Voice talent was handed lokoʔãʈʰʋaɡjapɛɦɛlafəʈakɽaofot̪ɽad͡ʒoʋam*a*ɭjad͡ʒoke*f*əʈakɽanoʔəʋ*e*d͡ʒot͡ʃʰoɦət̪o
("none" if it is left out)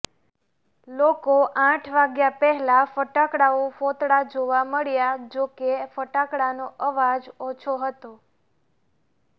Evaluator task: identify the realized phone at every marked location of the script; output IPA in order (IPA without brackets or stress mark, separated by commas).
ə, f, a